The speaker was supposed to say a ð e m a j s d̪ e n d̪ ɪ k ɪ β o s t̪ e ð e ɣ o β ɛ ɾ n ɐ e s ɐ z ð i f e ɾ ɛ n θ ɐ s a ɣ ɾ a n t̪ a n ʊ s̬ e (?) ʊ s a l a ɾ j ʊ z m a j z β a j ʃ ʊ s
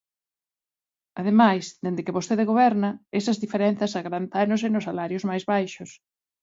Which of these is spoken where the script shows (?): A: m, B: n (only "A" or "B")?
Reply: B